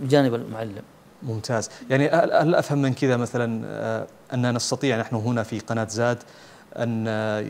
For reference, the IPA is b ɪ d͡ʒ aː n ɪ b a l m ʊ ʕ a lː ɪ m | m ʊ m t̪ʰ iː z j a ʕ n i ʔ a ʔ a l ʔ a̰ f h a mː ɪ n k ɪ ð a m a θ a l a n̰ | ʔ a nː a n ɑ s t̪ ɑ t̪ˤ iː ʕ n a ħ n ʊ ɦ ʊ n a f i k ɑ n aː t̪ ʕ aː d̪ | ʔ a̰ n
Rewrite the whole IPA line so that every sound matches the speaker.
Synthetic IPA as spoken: b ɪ d͡ʒ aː n ɪ b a l m ʊ ʕ a lː ɪ m | m ʊ m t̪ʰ aː z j a ʕ n i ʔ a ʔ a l ʔ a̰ f h a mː ɪ n k ɪ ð a m a θ a l a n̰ | ʔ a nː a n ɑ s t̪ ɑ t̪ˤ iː ʕ n a ħ n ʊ ɦ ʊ n a f i q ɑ n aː t̪ z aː d̪ | ʔ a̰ n